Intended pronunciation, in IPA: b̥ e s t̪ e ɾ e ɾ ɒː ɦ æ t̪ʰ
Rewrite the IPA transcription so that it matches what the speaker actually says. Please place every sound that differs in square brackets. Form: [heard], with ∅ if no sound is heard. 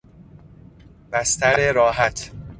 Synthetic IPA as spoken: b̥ [æ] s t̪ [æ] ɾ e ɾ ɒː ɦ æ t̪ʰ